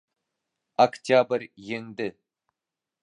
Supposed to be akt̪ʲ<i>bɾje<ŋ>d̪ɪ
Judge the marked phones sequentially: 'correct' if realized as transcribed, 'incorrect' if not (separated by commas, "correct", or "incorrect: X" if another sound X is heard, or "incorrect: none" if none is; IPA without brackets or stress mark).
incorrect: a, correct